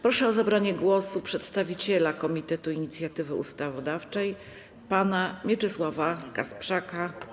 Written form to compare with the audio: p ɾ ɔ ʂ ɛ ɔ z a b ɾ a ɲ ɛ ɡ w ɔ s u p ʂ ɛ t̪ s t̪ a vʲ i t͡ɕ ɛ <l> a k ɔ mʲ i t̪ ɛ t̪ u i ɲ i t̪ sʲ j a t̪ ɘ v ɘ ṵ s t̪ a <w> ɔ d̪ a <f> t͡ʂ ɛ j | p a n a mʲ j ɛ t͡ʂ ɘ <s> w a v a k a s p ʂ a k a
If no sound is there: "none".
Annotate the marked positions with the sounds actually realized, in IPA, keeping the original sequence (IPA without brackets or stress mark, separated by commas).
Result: l, v, f, s